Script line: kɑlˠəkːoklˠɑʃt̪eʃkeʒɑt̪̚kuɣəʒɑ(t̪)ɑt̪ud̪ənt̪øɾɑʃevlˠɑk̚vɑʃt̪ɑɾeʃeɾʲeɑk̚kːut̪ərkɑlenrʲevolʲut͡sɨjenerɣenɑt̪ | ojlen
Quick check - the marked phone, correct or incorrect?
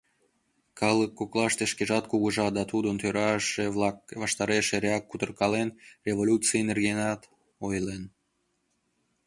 incorrect